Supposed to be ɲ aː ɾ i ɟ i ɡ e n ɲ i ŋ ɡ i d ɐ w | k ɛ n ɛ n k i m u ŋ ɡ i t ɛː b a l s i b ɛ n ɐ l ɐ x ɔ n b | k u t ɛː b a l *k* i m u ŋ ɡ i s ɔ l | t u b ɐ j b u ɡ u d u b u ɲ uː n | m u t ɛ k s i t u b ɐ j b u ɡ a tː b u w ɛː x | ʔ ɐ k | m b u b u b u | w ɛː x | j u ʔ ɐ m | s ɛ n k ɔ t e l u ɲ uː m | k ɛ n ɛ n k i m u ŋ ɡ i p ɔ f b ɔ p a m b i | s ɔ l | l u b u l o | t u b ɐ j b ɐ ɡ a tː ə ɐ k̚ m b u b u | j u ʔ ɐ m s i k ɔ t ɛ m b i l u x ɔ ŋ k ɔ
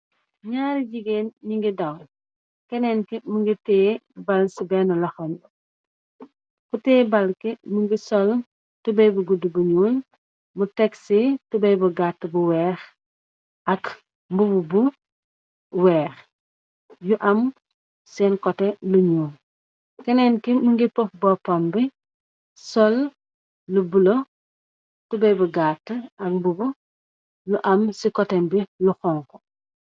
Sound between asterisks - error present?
no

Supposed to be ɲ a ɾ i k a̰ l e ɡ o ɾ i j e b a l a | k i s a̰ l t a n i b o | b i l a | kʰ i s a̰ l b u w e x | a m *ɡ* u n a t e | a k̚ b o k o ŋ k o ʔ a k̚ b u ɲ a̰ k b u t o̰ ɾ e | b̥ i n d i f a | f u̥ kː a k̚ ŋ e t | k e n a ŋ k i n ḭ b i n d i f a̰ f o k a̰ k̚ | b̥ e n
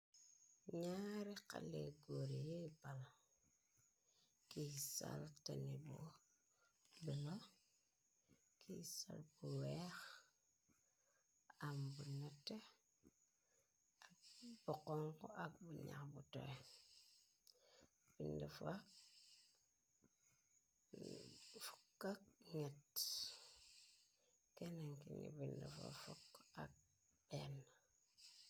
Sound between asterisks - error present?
yes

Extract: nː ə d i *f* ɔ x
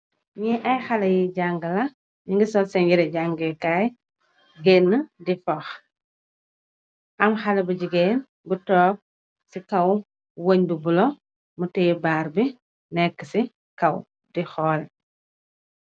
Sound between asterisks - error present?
no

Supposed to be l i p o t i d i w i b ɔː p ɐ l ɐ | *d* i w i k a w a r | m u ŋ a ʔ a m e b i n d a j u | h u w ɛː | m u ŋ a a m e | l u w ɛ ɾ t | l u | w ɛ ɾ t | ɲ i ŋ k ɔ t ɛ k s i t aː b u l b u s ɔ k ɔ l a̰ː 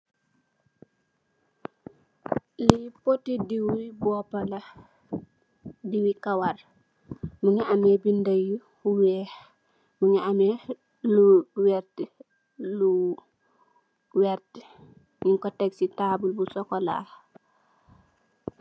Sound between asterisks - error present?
no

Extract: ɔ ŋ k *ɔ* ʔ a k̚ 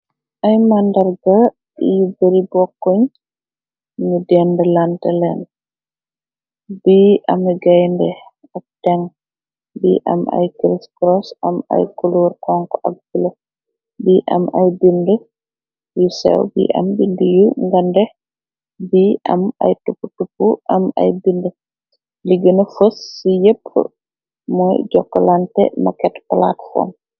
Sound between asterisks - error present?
no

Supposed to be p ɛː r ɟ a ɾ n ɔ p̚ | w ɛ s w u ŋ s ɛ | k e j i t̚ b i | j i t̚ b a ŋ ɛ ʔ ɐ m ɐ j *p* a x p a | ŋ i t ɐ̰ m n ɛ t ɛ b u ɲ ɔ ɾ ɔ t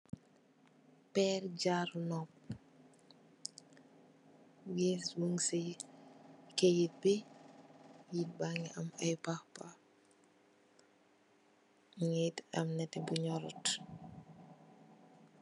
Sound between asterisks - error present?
no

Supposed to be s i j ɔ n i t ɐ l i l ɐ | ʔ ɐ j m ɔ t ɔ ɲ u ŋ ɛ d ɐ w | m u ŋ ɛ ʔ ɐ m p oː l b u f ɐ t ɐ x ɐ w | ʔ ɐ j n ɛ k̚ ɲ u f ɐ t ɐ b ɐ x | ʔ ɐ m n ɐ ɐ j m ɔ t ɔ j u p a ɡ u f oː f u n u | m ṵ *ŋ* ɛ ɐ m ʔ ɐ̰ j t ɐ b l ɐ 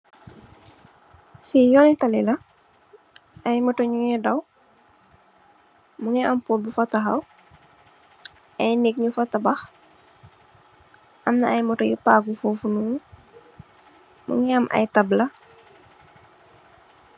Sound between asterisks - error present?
no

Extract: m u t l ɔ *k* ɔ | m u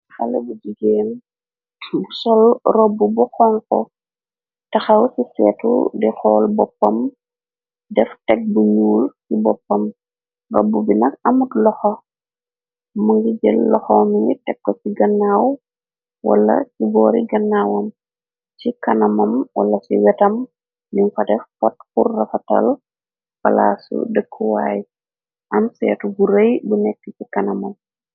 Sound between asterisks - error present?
yes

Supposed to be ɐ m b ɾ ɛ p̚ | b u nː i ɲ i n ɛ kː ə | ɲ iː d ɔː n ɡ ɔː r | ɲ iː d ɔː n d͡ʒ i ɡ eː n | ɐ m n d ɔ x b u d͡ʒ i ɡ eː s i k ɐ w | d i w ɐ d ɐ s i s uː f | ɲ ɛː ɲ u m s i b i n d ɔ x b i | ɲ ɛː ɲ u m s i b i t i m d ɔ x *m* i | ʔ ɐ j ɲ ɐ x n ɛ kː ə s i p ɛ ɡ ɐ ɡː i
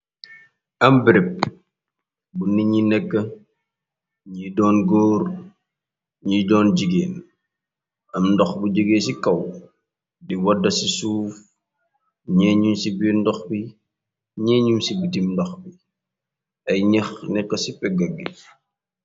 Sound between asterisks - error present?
yes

